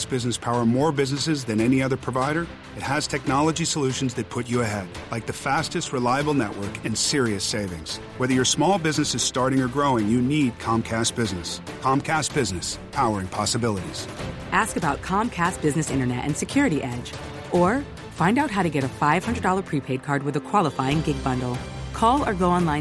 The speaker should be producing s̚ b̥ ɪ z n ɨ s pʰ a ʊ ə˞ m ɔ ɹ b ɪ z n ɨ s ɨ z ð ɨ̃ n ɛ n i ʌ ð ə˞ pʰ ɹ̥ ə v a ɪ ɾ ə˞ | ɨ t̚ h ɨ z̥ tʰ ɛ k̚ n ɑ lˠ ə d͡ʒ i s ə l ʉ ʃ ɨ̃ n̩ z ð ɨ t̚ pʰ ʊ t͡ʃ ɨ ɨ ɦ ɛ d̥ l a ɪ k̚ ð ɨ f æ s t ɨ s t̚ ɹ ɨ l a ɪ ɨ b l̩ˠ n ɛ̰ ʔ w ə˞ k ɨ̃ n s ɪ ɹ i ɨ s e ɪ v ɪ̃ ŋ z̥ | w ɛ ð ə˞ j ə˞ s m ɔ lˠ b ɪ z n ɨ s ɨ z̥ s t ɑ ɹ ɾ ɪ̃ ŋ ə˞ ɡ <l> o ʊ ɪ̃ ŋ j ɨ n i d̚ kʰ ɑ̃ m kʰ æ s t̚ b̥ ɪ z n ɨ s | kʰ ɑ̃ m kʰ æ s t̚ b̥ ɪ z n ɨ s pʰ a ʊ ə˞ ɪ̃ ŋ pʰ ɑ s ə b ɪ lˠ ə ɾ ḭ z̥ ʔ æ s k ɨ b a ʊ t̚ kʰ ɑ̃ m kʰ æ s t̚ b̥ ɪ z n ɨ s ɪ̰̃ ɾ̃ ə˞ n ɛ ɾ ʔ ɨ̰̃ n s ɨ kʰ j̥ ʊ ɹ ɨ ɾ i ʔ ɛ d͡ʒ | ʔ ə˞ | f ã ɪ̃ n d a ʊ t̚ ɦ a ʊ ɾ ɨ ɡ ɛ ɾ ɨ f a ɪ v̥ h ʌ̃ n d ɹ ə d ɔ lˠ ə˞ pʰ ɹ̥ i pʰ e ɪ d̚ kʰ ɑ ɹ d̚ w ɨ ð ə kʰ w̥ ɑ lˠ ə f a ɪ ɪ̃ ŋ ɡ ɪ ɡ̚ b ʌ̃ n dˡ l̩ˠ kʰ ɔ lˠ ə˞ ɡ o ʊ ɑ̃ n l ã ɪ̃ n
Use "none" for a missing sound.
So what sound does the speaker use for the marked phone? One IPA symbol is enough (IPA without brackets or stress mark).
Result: ɹ